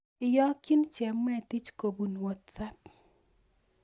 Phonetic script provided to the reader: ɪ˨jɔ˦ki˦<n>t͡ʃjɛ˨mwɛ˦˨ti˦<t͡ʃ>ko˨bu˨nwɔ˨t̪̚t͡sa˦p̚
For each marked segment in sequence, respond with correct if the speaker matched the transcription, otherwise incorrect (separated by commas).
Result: correct, correct